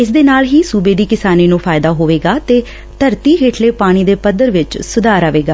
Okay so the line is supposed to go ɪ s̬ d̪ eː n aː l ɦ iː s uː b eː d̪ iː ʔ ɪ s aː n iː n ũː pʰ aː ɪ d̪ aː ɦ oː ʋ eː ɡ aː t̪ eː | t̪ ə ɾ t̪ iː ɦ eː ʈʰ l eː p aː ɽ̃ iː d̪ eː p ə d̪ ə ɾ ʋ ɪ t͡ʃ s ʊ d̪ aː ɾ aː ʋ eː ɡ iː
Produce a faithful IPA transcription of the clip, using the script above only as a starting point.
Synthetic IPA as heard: ɪ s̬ d̪ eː n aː l ɦ iː s uː b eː d̪ iː k ɪ s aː n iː n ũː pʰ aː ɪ d̪ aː ɦ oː ʋ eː ɡ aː t̪ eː | t̪ ə ɾ t̪ iː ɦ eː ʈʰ l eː p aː ɽ̃ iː d̪ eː p ə d̪ ə ɾ ʋ ɪ t͡ʃ s ʊ d̪ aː ɾ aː ʋ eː ɡ aː